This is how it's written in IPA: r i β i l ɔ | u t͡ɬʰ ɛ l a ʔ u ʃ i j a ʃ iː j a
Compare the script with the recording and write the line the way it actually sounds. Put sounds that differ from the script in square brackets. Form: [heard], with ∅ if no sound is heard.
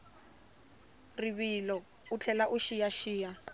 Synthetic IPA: r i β i l ɔ | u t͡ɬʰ ɛ l a ʔ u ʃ i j a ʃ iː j a